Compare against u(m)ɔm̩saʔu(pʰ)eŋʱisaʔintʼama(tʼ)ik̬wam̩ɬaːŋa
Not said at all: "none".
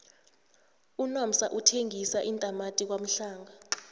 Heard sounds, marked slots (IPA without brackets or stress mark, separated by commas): n, tʰ, tʼ